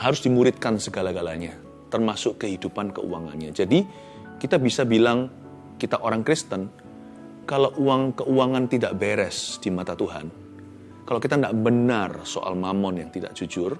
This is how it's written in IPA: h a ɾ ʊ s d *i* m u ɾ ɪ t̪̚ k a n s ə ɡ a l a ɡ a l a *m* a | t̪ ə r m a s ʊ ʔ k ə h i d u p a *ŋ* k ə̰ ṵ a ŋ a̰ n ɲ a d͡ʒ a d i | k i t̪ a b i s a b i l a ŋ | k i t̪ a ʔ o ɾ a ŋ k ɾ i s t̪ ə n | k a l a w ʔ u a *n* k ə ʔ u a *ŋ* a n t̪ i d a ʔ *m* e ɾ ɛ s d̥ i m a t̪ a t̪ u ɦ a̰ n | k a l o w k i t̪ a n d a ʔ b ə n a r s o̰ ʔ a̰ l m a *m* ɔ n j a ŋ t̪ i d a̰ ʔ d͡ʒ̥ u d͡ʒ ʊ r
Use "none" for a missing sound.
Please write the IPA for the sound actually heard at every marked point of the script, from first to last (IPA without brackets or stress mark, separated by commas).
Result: i, ɲ, n, ŋ, ŋ, b, m